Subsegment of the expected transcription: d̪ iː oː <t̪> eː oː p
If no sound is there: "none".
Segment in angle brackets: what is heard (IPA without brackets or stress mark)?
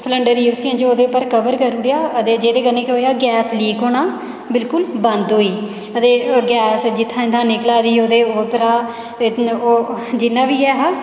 d̪